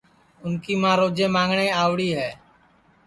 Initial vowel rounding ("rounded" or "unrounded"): rounded